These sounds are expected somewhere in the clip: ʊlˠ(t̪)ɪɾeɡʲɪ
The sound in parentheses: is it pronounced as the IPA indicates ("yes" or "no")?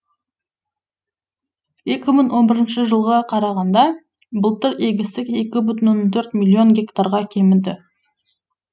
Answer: yes